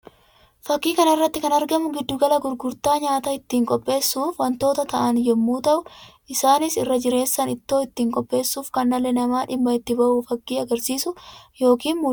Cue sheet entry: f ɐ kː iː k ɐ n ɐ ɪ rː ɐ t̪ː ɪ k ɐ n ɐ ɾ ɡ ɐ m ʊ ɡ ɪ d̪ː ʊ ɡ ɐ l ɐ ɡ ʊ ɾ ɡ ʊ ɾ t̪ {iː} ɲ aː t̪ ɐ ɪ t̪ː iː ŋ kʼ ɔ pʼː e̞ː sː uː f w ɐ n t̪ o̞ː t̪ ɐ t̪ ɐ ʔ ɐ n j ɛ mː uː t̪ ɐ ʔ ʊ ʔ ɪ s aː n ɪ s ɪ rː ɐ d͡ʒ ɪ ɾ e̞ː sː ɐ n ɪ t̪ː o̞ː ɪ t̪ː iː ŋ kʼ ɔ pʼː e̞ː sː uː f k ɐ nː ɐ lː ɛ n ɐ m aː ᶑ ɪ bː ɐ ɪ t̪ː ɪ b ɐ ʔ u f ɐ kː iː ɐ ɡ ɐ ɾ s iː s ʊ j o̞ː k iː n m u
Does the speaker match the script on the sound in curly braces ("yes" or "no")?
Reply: no